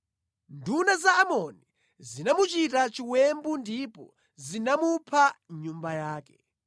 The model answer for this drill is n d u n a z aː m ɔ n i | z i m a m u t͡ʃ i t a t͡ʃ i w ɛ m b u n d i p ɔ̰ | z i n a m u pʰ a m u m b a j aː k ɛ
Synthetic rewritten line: n d u n a z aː m ɔ n i | z i n a m u t͡ʃ i t a t͡ʃ i w ɛ m b u n d i p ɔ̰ | z i n a m u pʰ a ɲ u m b a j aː k ɛ